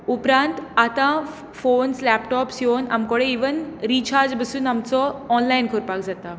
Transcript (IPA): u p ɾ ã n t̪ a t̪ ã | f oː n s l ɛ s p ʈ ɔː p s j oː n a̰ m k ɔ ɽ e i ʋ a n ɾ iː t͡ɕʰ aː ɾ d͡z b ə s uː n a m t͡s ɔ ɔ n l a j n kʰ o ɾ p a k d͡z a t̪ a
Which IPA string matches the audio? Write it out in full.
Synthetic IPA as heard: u p ɾ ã n t̪ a t̪ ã | f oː n s l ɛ p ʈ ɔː p s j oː n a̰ m k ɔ ɽ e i ʋ ə n ɾ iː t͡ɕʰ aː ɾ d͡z b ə s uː n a m t͡s ɔ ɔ n l a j n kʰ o ɾ p a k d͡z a t̪ a